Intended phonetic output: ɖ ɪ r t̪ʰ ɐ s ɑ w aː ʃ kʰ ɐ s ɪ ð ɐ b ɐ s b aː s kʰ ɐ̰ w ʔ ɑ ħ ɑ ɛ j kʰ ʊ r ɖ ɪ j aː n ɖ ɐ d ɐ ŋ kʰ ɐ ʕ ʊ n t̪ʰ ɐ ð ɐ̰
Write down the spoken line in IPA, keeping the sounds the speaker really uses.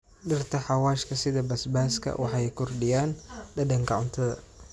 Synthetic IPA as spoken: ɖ ɪ r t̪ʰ ɐ ħ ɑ w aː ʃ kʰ ɐ s ɪ ð ɐ b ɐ s b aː s kʰ ɐ̰ w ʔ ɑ ħ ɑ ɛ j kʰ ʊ r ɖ ɪ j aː n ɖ ɐ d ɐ ŋ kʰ ɐ ʕ ʊ n t̪ʰ ɐ ð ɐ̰